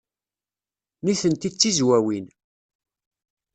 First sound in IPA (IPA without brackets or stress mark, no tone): n